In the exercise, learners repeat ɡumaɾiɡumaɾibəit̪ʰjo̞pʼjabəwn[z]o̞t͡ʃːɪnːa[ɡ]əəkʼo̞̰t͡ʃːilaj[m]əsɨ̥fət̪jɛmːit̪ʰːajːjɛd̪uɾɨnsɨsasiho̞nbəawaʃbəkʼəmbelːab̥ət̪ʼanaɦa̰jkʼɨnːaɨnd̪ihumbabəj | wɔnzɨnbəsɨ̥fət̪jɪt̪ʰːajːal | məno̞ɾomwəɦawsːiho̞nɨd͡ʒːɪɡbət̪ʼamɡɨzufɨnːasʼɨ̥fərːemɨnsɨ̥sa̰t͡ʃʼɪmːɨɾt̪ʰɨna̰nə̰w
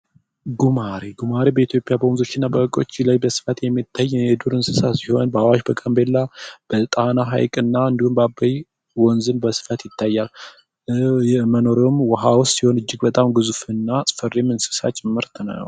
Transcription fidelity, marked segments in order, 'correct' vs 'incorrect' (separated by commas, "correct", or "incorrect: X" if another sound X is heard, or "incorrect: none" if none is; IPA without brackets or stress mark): correct, incorrect: b, incorrect: b